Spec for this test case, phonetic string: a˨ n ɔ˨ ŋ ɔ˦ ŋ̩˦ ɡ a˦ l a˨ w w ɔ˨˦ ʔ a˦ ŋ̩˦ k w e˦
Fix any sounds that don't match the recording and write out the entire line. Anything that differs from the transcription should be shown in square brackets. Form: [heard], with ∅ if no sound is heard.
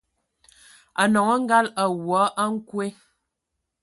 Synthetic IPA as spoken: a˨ n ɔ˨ ŋ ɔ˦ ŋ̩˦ ɡ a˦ l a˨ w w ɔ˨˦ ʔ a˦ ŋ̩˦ k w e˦